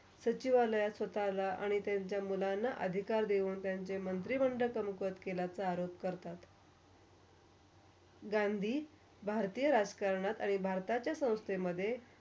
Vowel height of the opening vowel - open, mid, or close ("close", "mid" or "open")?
mid